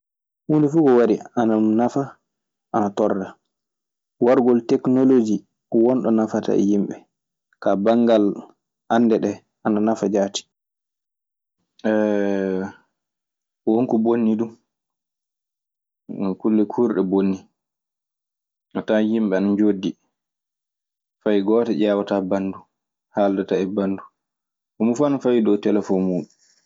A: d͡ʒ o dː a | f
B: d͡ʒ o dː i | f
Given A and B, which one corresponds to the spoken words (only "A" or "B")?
B